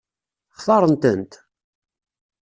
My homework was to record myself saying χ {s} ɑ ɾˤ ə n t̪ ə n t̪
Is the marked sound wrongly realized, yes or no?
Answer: yes